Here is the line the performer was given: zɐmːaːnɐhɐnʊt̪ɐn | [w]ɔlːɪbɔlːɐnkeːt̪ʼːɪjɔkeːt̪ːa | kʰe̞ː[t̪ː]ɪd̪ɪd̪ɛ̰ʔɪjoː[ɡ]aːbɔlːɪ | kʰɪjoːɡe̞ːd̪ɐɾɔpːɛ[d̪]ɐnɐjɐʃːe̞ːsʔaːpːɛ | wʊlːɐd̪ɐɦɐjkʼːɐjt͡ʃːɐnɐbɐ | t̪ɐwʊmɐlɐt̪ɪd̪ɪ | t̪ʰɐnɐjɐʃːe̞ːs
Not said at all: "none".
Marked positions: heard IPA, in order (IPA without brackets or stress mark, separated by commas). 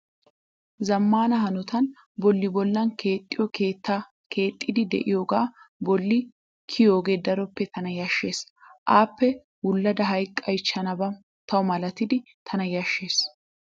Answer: b, t̪ʼː, ɡ, t̪